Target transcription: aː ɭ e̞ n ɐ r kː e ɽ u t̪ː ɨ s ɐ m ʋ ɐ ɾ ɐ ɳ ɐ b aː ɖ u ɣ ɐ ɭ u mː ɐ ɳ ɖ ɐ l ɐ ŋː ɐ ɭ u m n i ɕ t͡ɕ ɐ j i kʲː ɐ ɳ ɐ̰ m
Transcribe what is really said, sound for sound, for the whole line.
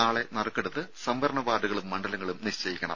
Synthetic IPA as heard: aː ɭ e̞ n ɐ r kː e ɽ u t̪ː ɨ s ɐ m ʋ ɐ ɾ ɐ ɳ ɐ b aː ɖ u ɣ ɐ ɭ u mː ɐ ɳ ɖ ɐ l ɐ ŋː ɐ ɭ u m n i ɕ t͡ɕ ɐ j i kʲː ɐ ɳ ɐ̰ m